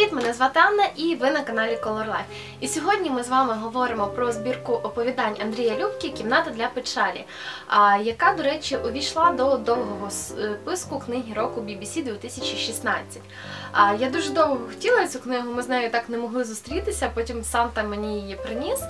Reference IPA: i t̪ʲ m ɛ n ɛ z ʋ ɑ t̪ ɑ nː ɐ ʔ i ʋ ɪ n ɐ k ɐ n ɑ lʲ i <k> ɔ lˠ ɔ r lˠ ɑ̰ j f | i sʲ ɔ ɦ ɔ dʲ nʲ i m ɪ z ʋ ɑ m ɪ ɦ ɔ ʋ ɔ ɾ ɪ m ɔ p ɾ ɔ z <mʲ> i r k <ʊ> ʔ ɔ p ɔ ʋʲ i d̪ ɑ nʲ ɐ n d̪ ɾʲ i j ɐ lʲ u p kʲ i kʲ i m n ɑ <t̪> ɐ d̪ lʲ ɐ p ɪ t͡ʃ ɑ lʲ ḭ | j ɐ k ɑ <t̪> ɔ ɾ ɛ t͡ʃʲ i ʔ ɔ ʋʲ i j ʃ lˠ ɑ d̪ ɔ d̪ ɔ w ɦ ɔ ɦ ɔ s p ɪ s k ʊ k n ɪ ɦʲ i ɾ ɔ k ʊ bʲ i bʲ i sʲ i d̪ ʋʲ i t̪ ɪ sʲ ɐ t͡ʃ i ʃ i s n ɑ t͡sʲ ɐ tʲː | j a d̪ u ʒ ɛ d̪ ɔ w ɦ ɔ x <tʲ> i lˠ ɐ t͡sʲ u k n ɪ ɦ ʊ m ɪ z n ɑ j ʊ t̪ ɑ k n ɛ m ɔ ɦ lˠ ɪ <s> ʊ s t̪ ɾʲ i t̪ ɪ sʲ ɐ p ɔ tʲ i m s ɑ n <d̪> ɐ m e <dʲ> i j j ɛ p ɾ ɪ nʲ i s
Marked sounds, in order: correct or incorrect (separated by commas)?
correct, incorrect, correct, correct, incorrect, correct, incorrect, incorrect, incorrect